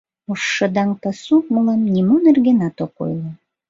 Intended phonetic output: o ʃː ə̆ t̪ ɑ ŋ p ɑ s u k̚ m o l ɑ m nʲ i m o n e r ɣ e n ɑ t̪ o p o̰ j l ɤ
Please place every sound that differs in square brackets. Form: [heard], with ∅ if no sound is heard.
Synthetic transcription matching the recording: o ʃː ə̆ [d̪] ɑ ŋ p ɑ s u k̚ m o l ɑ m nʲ i m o n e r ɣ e n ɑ t̪ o [k] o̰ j l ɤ